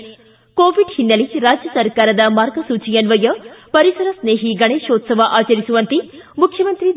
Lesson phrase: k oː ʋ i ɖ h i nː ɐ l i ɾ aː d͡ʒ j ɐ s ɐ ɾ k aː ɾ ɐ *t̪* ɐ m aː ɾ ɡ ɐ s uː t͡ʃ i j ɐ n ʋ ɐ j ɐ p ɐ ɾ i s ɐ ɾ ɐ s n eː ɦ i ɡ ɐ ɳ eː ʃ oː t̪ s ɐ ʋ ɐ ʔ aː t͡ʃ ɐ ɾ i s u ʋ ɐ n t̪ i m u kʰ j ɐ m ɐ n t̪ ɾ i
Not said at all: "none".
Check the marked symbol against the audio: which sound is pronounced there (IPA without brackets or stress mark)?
d̪